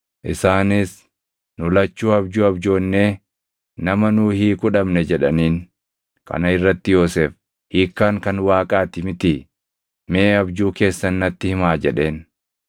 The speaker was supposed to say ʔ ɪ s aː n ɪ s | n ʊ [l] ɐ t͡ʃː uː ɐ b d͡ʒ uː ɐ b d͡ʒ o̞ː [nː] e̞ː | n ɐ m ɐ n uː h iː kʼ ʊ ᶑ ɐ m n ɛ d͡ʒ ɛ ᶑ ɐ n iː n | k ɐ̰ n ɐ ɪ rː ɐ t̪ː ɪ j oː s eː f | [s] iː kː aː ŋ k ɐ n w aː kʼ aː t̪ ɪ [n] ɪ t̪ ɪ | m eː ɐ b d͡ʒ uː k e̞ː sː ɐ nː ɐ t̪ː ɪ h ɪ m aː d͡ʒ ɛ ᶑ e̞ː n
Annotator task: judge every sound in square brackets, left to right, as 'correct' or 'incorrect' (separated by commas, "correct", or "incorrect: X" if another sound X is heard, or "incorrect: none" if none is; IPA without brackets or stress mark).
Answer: correct, correct, incorrect: h, incorrect: m